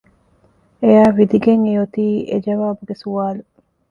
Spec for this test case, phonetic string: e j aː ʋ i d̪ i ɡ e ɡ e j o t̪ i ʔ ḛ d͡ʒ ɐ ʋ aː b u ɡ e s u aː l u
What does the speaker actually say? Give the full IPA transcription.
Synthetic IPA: e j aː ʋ i d̪ i ɡ e ŋ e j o t̪ iː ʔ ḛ d͡ʒ ɐ ʋ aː b u ɡ e s u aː l u